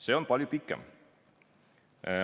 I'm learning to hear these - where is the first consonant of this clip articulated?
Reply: tongue tip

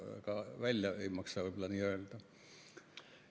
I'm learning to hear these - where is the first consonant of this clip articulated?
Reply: velum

